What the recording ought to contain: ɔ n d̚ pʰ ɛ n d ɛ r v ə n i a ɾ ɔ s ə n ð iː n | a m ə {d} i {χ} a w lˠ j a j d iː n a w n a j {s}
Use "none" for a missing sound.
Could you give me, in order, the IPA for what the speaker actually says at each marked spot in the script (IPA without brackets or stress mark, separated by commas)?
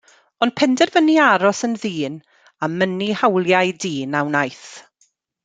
n, h, θ